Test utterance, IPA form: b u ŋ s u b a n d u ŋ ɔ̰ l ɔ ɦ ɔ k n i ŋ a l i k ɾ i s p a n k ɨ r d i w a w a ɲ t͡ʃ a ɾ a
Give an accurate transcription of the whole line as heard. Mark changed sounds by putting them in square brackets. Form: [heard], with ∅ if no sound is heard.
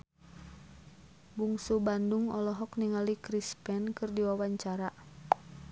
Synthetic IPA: b u ŋ s u b a n d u ŋ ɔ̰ l ɔ ɦ ɔ k n i ŋ a l i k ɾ i s p [ɛ] n k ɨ r d i w a w a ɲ t͡ʃ a ɾ a